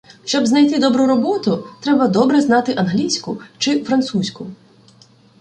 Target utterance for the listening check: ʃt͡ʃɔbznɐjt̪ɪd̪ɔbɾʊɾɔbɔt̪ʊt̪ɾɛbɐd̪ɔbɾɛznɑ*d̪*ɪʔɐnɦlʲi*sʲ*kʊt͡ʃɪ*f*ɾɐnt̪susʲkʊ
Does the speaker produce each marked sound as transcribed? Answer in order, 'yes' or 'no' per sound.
no, yes, yes

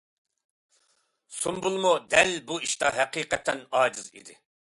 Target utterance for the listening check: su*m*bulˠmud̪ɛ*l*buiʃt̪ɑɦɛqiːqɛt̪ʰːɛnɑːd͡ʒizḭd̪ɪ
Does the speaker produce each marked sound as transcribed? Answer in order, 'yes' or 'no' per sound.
yes, yes

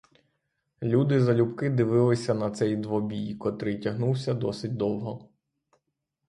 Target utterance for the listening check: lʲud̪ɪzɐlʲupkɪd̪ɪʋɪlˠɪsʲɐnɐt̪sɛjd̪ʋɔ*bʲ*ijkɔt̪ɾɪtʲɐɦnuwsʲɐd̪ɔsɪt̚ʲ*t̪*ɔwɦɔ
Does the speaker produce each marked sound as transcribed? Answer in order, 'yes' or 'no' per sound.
yes, no

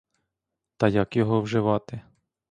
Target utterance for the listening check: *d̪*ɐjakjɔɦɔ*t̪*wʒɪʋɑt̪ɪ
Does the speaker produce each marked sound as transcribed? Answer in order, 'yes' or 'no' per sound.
no, no

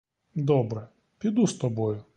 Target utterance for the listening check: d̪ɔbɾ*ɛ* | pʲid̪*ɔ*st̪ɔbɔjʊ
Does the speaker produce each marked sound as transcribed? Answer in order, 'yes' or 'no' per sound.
yes, no

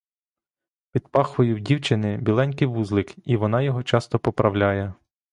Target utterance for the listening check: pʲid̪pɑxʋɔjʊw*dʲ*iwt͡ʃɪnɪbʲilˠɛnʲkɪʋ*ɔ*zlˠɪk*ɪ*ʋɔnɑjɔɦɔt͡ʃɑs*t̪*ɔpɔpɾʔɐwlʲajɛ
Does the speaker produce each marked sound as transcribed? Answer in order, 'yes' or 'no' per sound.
yes, no, no, yes

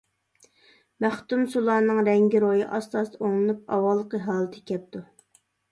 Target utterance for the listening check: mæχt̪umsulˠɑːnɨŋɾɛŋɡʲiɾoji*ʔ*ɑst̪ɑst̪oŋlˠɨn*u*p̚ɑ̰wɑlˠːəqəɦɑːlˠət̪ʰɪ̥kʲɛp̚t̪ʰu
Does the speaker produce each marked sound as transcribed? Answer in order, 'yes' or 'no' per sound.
yes, yes

